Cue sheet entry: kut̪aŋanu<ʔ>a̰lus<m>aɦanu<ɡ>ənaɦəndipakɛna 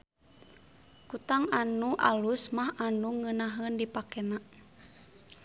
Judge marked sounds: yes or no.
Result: yes, yes, no

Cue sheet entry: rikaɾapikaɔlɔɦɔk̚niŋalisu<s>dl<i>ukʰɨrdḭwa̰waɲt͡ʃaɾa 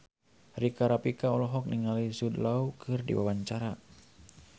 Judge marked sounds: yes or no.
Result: no, no

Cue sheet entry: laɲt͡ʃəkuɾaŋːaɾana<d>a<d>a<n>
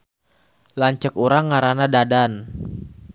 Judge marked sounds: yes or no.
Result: yes, yes, yes

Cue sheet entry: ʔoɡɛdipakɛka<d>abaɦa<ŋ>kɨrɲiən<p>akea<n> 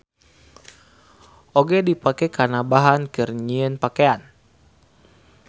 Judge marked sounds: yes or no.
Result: no, no, yes, yes

